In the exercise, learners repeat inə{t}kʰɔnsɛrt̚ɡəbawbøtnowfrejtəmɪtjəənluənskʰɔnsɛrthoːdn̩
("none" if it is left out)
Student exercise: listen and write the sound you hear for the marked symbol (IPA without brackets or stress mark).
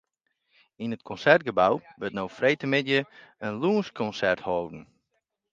t